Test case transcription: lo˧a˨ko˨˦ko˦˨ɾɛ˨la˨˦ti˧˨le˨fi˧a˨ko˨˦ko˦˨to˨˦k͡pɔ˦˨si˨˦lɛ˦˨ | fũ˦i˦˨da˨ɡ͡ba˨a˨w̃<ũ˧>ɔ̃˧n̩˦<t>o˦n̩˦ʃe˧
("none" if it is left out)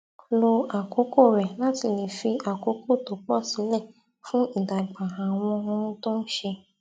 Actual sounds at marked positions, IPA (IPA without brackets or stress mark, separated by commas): ɔ̃˧, t